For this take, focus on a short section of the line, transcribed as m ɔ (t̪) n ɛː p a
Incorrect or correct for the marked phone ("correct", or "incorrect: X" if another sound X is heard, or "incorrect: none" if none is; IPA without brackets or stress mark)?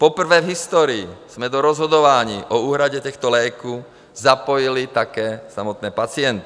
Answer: correct